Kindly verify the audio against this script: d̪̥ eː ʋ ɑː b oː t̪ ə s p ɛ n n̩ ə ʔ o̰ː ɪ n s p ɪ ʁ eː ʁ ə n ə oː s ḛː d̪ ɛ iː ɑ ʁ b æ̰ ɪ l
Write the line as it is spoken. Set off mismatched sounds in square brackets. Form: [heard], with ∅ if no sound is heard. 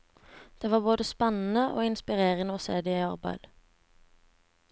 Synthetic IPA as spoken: d̪̥ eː ʋ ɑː b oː [d̪] ə s p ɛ n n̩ ə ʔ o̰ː ɪ n s p ɪ ʁ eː ʁ ə n ə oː s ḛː d̪ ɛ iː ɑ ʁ b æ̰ ɪ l